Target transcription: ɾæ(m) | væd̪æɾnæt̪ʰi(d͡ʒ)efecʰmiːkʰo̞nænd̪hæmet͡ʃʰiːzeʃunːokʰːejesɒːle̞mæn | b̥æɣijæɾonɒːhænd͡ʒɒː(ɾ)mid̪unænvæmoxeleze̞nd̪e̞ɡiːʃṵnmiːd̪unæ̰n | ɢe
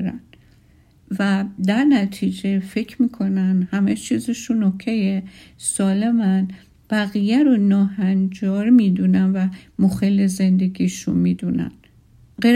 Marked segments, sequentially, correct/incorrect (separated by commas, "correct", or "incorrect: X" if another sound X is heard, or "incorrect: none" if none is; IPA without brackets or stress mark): incorrect: n, correct, correct